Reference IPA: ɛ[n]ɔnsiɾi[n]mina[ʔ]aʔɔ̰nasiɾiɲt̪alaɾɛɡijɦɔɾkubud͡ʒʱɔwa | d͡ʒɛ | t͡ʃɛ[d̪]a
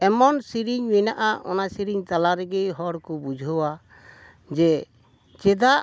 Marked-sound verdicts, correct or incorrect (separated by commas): incorrect, incorrect, correct, correct